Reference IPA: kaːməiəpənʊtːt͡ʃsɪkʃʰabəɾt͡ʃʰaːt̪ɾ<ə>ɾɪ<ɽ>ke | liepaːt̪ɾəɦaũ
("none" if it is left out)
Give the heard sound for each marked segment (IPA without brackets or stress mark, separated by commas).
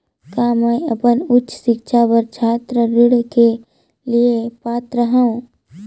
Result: ə, ɽ